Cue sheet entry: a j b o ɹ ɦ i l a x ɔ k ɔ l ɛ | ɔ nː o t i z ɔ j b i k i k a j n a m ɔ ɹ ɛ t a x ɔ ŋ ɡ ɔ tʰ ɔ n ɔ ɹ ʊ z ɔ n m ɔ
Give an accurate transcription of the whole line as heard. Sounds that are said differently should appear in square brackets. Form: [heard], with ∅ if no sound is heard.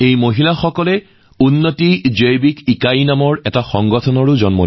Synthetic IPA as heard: [e] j [m] o [∅] ɦ i l a x ɔ k ɔ l ɛ | [u] nː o t i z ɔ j b i k i k a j n a m ɔ ɹ ɛ t a x ɔ ŋ ɡ ɔ tʰ ɔ n ɔ ɹ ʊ z ɔ n m ɔ